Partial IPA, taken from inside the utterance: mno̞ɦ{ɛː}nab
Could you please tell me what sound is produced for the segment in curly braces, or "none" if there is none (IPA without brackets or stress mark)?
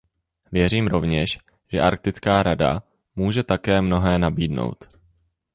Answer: ɛː